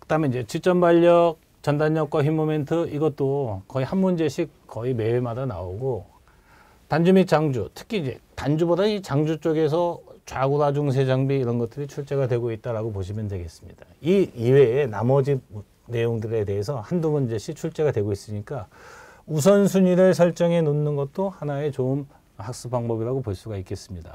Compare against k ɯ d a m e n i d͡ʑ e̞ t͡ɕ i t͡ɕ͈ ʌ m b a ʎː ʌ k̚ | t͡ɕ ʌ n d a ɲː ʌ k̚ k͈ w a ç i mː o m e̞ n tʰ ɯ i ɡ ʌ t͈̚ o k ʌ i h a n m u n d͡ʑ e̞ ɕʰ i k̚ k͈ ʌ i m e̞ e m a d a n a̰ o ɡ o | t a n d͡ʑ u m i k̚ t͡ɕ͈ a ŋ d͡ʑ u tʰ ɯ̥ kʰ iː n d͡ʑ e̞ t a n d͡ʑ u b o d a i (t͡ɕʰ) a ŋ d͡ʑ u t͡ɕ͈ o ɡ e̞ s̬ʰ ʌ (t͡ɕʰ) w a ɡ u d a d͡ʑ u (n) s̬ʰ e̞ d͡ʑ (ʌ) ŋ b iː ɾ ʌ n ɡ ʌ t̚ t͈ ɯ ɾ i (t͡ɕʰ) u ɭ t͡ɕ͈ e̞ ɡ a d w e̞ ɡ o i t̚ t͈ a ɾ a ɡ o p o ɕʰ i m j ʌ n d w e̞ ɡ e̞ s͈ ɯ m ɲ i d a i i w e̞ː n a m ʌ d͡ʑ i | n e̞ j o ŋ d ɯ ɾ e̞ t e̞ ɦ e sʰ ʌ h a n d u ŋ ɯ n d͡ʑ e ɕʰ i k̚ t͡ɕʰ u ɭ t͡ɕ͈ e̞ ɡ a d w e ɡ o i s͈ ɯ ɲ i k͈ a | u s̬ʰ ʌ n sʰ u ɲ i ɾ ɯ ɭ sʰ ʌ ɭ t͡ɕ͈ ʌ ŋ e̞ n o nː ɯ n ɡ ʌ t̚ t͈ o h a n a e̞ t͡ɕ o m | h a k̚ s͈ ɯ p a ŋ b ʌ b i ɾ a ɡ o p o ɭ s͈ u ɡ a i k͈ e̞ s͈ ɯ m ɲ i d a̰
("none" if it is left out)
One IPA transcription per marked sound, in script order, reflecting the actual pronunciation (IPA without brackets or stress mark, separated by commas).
t͡ɕ, t͡ɕ, ŋ, a, t͡ɕʰ